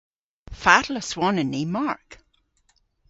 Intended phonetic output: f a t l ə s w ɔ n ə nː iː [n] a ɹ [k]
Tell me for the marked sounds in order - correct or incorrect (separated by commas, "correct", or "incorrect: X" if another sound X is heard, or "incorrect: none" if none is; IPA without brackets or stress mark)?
incorrect: m, correct